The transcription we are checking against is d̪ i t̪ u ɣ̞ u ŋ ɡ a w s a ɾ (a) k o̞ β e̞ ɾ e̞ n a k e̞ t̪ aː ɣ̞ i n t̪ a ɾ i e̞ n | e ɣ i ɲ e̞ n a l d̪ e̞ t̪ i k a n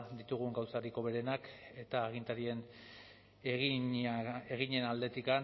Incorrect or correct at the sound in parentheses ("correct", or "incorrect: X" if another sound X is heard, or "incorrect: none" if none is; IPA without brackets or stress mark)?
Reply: incorrect: i